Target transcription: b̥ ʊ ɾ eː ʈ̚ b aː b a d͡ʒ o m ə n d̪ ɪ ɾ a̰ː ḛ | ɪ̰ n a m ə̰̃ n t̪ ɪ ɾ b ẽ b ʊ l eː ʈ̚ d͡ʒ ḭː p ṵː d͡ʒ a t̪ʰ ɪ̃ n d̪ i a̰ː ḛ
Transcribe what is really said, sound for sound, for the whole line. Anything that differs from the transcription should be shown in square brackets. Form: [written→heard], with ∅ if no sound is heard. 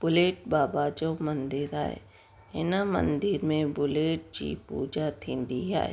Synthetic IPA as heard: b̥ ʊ [ɾ→l] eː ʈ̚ b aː b a d͡ʒ o m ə n d̪ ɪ ɾ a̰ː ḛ | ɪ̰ n a m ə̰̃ n [t̪→d̪] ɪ ɾ [b→m] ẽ b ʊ l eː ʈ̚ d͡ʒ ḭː p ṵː d͡ʒ a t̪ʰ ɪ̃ n d̪ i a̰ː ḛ